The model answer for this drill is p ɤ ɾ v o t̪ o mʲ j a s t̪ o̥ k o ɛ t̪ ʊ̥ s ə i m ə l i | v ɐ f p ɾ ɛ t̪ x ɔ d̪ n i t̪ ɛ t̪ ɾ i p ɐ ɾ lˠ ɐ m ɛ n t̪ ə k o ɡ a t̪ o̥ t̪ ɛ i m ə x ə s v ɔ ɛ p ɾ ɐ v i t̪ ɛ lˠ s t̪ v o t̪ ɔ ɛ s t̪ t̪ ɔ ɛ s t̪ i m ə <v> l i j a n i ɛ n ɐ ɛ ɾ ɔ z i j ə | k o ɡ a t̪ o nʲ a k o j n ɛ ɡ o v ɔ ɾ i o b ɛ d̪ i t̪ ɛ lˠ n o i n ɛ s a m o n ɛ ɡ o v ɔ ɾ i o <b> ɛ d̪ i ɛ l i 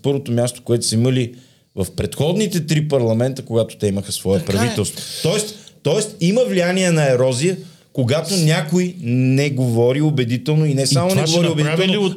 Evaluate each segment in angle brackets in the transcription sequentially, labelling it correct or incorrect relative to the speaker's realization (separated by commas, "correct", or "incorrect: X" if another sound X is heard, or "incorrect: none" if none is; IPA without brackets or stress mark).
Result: correct, correct